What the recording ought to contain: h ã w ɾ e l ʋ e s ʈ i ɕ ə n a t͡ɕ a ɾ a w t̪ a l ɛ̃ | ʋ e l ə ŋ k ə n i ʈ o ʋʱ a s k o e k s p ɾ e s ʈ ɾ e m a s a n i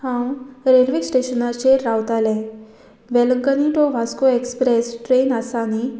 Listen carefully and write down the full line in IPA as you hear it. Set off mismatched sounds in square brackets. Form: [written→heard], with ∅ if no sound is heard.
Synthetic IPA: h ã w ɾ e l ʋ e s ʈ [i→e] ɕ ə n a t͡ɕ [a→e] ɾ a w t̪ a l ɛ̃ | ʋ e l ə ŋ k ə n i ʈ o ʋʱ a s k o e k s p ɾ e s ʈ ɾ e [m→n] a s a n i